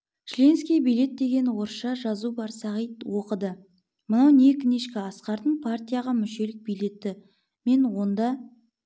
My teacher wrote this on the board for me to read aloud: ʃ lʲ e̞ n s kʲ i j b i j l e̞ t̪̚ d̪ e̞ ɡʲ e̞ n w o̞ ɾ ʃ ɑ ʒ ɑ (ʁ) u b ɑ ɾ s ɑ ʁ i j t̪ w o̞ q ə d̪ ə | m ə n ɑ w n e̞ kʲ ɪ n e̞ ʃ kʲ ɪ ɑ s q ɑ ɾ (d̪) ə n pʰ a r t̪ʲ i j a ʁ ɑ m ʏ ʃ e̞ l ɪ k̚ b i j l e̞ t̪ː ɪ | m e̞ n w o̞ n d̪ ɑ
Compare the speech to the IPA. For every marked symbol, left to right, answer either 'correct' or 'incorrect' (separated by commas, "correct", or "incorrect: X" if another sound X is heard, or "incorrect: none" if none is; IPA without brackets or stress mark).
incorrect: z, incorrect: t̪